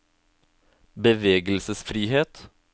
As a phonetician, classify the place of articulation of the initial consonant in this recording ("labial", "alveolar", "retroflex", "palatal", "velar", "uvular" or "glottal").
labial